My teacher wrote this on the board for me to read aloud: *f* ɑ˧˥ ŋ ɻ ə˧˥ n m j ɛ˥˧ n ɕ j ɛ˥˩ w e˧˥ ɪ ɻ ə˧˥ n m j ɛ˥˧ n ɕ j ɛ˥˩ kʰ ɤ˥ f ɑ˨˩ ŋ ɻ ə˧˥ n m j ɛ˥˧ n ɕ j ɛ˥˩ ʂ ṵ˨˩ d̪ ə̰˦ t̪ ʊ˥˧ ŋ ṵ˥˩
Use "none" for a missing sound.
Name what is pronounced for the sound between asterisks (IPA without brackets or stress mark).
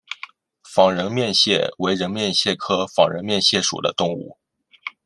f